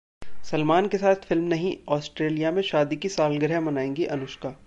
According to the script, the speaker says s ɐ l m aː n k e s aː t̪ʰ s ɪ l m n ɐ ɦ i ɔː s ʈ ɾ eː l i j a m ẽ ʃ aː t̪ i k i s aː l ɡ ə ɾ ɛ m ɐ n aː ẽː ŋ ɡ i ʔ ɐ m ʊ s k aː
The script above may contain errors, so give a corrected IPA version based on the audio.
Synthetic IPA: s ɐ l m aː n k e s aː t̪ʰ f ɪ l m n ɐ ɦ ĩ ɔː s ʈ ɾ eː l i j a m ẽ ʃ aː d̪ i k i s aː l ɡ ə ɾ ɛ m ɐ n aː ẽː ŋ ɡ i ʔ ɐ n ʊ ʃ k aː